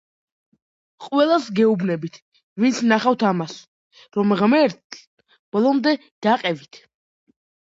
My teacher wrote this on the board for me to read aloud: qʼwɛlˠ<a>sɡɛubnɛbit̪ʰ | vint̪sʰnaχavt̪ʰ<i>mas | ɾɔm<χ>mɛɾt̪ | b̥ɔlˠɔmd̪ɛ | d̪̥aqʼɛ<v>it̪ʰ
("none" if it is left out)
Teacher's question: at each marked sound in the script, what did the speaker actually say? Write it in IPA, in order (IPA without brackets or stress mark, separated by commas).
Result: a, a, ʁ, v